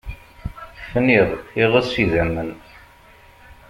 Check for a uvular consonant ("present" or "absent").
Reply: present